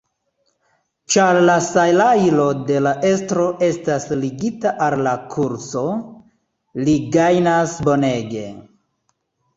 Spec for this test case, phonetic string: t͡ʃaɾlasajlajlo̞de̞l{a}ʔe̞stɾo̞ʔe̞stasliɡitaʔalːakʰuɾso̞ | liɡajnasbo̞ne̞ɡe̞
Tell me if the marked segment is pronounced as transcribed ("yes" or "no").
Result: yes